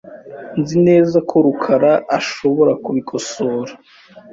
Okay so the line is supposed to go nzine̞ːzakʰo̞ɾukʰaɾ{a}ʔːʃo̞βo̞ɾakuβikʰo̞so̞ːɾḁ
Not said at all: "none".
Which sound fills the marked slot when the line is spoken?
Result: a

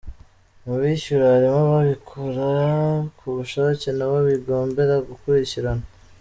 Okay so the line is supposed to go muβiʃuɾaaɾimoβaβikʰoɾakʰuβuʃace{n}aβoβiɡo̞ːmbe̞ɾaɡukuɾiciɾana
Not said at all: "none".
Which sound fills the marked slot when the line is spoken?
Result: n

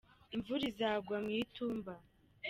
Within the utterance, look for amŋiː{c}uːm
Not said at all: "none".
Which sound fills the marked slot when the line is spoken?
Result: t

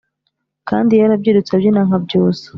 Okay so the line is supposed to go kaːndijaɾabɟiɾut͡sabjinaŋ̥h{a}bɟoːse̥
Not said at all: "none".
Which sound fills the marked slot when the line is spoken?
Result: a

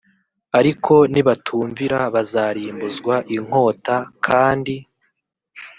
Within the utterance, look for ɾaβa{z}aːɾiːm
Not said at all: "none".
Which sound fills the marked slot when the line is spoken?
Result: z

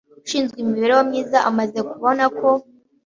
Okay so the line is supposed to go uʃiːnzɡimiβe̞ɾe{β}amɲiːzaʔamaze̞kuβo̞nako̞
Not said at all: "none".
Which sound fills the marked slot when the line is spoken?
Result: w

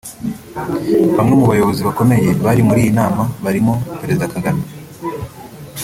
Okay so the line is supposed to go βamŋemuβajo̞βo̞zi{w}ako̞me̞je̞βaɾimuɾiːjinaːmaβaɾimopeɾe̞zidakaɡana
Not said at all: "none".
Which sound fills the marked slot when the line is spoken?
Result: β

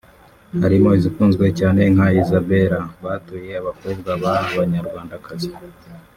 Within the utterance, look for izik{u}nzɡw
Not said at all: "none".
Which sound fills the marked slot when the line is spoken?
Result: uː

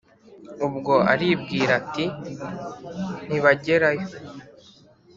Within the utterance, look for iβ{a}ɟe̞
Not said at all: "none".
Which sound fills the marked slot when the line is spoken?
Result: a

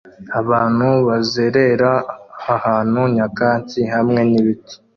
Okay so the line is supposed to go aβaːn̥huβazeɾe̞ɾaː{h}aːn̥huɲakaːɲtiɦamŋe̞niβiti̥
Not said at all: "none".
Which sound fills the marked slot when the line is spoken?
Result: h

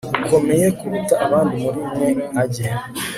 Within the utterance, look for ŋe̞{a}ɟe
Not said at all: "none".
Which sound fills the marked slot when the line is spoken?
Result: a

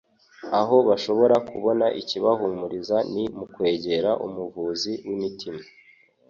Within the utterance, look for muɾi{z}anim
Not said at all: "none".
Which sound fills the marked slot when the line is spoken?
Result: z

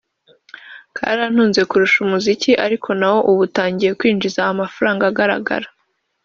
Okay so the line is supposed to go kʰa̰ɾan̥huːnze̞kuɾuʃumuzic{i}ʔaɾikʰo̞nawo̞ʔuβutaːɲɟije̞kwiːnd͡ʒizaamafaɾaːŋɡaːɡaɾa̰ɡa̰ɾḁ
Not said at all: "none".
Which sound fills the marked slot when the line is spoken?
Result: i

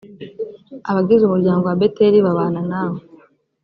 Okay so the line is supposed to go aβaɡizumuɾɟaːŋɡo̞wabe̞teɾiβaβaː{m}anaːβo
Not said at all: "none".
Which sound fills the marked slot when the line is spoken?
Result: n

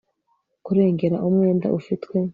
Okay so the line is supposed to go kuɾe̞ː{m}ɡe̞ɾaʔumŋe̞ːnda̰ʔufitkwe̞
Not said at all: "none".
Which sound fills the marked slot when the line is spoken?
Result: ŋ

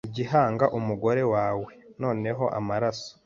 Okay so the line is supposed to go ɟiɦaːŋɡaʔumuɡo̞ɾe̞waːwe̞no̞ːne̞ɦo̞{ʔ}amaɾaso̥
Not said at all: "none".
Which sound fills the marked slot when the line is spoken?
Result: ʔ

